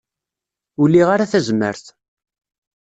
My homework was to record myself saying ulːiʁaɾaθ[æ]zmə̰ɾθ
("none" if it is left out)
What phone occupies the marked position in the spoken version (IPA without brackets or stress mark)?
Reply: æ